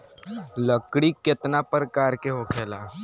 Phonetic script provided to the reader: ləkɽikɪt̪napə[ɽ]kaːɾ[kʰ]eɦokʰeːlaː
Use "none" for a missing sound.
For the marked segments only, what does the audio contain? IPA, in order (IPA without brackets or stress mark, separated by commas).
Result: ɾ, k